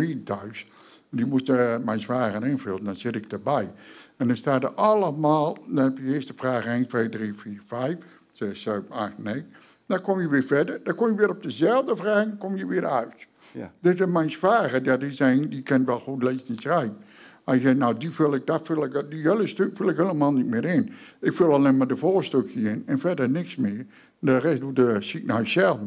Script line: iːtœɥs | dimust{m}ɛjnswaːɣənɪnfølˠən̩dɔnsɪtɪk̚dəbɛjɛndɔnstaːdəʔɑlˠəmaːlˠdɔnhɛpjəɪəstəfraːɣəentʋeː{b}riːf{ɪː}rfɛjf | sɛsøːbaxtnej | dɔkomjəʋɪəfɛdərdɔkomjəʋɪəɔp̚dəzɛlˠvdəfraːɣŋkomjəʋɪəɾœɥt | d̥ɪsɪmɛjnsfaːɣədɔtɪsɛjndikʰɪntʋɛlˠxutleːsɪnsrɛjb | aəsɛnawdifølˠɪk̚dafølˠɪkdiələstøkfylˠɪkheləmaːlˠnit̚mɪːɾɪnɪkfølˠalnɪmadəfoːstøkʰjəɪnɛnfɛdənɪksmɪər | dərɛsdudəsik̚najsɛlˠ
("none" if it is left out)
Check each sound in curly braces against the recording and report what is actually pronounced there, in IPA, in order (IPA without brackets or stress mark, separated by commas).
m, d, iː